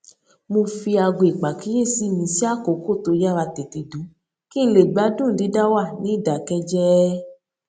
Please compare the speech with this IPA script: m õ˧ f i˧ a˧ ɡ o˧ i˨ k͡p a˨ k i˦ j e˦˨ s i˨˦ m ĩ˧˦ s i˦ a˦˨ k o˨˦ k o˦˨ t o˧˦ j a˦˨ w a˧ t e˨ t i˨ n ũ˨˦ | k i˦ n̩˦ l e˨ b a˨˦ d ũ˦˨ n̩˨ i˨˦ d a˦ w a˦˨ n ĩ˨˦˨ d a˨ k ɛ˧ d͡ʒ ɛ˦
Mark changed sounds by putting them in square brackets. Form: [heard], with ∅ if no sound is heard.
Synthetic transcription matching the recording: m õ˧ f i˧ a˧ ɡ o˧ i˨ k͡p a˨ k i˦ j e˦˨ s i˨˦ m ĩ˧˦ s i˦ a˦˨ k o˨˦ k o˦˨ t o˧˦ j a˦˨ w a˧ t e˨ t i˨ [d] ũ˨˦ | k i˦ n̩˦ l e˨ [ɡ͡b] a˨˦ d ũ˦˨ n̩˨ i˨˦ d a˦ w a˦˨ n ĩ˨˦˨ d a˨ k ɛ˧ d͡ʒ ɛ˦